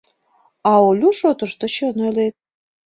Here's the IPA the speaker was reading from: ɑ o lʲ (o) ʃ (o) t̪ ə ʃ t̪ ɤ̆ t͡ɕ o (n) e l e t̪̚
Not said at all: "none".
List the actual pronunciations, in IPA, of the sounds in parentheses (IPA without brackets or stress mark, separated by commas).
u, o, n